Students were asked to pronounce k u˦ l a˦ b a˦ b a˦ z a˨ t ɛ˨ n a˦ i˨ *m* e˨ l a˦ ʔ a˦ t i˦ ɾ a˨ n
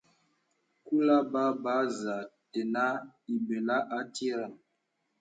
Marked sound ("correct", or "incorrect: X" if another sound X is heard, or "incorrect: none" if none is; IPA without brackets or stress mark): incorrect: b